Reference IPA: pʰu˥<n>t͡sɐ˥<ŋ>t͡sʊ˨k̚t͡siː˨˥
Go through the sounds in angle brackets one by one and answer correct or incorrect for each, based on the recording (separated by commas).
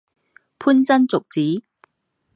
correct, incorrect